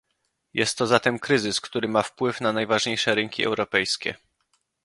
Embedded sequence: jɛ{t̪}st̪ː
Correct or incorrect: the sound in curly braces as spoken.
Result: incorrect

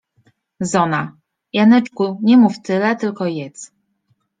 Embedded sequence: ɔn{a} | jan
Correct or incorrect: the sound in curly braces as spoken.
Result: correct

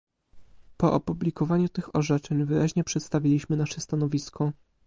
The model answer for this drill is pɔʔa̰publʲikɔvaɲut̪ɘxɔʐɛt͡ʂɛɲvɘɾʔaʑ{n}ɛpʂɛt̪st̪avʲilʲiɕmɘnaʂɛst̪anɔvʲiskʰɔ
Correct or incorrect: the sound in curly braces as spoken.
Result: incorrect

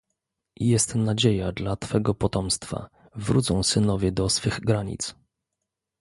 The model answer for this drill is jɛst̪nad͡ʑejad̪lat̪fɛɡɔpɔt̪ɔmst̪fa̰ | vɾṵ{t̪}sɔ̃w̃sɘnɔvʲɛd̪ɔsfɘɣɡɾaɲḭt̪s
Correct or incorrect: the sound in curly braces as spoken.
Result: correct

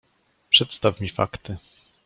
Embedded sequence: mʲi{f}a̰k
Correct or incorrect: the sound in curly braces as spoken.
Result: correct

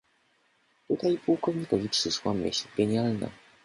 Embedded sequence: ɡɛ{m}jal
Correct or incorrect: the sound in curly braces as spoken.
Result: incorrect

